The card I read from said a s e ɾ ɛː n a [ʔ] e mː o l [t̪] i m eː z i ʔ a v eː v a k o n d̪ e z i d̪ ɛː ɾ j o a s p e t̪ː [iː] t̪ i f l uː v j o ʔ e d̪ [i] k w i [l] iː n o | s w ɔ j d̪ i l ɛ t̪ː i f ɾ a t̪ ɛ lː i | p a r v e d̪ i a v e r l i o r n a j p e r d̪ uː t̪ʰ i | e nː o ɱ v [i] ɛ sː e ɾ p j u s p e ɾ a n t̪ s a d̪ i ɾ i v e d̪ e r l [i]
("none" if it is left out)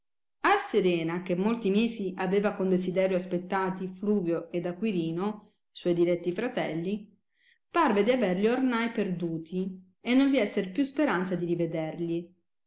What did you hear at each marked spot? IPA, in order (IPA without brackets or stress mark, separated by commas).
k, t̪, aː, a, ɾ, i, i